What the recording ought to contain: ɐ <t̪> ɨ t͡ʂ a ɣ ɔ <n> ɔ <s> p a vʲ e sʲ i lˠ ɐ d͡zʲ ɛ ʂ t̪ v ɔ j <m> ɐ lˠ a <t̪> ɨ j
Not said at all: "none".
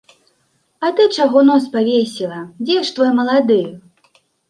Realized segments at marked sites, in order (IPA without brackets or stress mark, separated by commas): t̪, n, s, m, d̪